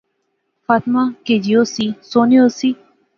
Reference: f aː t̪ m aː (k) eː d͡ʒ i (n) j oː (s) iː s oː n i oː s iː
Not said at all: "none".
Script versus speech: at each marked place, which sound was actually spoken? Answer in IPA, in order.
k, none, s

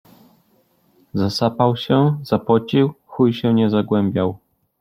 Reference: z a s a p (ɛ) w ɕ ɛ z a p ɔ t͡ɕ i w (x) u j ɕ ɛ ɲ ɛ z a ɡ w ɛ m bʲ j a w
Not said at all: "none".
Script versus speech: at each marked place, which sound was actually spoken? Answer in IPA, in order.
a, x

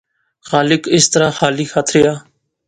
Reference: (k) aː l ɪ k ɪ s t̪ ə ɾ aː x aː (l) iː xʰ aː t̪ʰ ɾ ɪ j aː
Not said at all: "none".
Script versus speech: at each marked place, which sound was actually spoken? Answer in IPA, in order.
x, l

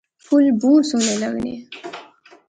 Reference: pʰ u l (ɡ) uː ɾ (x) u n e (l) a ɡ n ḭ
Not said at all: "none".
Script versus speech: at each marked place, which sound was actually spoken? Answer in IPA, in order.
b, s, l

